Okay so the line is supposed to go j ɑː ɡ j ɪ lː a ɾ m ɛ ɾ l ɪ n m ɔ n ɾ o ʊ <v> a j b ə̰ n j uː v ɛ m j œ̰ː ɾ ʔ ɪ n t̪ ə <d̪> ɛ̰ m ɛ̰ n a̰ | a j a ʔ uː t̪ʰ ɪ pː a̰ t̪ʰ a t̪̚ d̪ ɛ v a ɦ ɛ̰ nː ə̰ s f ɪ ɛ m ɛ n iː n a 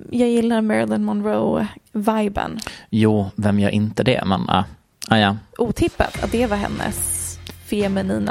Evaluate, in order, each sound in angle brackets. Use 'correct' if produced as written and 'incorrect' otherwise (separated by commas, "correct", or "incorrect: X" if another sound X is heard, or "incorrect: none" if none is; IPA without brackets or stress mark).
correct, correct